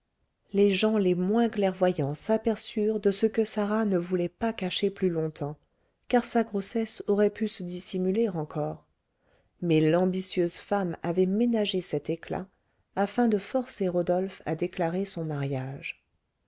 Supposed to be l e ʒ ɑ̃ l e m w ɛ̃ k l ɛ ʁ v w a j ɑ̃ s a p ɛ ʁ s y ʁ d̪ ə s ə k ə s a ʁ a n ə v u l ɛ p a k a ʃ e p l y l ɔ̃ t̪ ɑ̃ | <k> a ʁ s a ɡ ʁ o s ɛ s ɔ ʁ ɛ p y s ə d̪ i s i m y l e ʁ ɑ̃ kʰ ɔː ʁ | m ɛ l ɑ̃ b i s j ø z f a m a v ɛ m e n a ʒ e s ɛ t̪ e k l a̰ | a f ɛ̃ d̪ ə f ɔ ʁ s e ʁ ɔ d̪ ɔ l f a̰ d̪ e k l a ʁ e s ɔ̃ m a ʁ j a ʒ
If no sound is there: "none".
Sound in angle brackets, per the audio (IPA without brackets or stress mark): k